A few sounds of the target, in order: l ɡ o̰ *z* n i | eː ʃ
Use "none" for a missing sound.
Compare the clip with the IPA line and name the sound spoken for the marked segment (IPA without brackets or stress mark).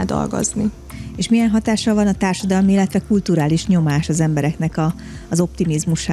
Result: z